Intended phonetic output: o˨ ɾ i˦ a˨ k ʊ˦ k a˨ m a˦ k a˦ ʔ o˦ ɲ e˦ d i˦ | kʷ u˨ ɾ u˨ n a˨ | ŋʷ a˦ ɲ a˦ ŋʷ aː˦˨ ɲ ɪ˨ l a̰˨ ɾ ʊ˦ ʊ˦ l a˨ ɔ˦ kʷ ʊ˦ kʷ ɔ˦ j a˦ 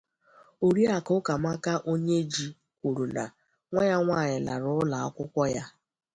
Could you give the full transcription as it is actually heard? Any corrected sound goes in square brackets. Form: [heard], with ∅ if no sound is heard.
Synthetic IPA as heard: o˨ ɾ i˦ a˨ k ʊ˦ k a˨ m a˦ k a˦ ʔ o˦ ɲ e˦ [d͡ʒ] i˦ | kʷ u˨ ɾ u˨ n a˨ | ŋʷ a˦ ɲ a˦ ŋʷ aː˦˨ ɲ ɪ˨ l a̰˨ ɾ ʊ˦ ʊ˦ l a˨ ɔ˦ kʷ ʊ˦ kʷ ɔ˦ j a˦